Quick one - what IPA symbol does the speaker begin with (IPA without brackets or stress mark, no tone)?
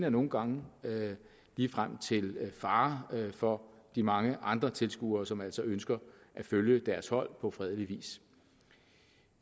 n